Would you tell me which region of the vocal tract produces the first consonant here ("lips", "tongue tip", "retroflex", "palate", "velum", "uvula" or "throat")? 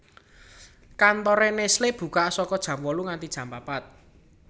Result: velum